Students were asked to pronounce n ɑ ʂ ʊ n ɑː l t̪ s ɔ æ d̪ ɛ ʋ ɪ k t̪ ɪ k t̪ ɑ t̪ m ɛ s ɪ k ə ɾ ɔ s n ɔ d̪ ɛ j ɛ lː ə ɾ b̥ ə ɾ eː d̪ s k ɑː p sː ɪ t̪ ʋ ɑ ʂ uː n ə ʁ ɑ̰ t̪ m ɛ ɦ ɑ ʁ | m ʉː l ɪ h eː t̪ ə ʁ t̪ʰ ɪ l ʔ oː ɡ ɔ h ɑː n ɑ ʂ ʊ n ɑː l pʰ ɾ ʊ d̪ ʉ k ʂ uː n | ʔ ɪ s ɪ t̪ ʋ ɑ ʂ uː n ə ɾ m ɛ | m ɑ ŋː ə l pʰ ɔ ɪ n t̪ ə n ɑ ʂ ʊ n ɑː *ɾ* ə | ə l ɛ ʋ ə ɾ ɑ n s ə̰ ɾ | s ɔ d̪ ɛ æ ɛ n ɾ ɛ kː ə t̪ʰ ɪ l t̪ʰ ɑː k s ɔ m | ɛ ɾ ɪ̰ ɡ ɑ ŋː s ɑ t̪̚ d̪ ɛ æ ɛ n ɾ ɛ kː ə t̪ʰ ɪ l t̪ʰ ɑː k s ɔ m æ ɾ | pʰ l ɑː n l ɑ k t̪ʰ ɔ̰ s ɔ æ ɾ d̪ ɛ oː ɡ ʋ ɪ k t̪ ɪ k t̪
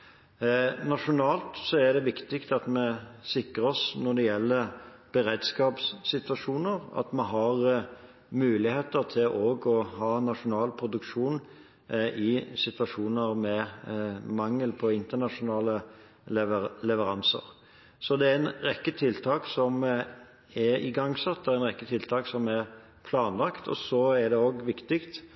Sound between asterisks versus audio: incorrect: l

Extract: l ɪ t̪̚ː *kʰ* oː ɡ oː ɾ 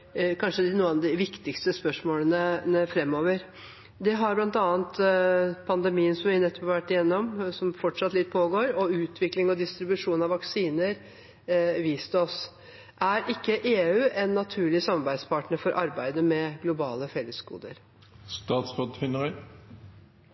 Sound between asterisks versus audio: incorrect: pʰ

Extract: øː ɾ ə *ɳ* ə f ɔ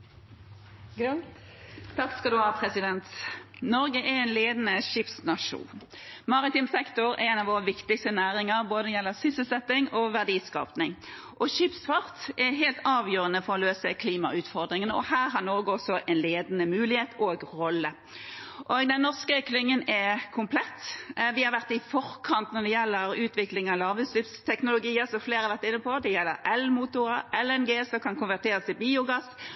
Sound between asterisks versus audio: incorrect: n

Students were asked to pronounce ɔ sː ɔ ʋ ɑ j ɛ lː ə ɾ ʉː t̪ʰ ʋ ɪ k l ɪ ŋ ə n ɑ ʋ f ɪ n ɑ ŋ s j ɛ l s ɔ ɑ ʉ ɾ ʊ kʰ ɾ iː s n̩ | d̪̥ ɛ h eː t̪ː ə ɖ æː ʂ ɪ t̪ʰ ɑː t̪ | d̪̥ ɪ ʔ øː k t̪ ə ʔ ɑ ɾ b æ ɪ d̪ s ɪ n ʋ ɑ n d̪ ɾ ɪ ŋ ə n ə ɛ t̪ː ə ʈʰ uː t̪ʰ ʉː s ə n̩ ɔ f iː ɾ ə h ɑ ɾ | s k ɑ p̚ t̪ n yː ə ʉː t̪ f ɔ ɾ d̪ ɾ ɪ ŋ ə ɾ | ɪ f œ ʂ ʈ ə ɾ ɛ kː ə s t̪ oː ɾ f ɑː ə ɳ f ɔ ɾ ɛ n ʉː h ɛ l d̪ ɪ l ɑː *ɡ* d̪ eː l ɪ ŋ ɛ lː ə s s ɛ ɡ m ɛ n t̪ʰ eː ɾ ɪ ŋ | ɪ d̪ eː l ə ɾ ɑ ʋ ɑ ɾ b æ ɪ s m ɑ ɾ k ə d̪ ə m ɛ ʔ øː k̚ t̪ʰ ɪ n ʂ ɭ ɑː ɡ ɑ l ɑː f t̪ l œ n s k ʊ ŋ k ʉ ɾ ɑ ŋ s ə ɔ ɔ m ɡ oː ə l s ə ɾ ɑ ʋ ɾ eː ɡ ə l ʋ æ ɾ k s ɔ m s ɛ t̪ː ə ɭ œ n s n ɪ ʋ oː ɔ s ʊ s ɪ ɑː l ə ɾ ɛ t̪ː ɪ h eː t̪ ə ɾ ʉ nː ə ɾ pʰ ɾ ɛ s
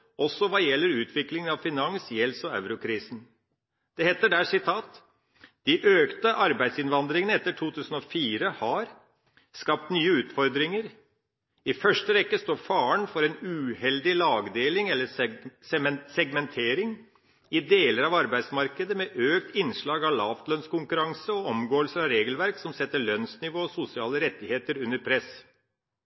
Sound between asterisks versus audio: correct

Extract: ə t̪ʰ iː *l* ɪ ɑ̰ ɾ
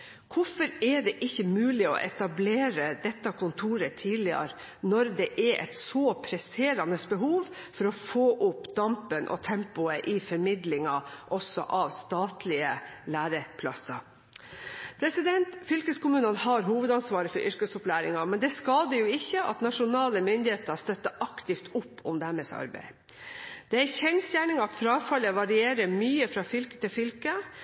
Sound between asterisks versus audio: correct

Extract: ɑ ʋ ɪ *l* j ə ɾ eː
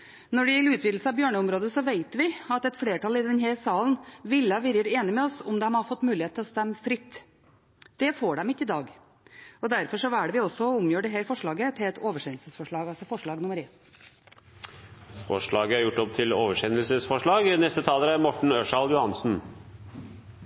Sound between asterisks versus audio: incorrect: ɾ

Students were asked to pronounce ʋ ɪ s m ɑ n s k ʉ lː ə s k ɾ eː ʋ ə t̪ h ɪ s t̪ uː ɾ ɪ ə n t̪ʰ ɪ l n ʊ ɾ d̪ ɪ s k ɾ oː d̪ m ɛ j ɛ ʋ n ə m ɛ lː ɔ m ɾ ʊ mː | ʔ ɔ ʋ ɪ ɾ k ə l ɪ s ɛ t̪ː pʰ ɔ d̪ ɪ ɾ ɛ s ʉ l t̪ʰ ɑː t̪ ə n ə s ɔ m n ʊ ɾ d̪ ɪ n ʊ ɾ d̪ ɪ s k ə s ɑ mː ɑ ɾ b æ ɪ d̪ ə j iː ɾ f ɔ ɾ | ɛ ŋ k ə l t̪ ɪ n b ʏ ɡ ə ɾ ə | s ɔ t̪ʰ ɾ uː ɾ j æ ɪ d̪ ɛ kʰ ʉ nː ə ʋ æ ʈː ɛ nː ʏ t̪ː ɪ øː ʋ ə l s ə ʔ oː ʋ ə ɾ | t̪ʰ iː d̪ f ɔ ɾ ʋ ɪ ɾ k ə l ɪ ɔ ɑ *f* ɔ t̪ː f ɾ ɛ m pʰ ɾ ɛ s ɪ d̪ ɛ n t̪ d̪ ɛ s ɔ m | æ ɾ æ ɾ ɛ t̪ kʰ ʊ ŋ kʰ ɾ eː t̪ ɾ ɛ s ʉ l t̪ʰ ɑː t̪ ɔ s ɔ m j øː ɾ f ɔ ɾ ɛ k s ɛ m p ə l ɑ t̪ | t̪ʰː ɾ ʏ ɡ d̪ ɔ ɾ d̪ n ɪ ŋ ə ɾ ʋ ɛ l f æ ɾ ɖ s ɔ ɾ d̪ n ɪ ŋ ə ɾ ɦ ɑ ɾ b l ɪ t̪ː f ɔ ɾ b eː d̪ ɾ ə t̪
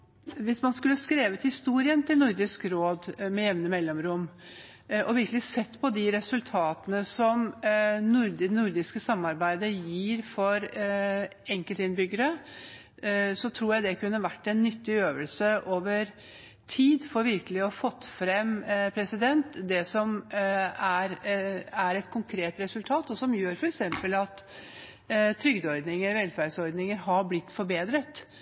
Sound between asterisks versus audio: correct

